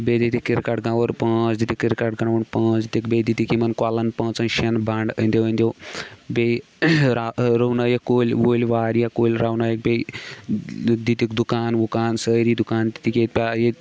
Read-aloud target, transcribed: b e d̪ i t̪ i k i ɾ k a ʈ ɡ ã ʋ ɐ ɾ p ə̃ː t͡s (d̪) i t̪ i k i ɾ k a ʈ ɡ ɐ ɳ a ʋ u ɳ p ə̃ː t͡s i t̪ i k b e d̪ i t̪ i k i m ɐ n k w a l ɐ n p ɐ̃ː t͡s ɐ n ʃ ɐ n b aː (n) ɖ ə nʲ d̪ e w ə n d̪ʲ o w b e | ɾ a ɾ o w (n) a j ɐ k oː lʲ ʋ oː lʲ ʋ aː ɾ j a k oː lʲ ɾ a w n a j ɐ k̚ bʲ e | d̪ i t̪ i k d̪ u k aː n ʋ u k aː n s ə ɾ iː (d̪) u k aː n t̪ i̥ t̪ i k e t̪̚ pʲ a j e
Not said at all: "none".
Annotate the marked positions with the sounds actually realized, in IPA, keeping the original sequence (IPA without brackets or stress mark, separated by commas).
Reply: d̪, ɳ, n, d̪